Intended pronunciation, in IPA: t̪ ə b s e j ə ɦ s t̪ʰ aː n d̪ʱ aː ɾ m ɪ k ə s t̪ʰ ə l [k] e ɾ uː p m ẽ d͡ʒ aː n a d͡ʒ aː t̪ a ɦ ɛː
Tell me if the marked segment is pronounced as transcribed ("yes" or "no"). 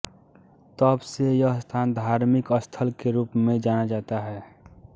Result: yes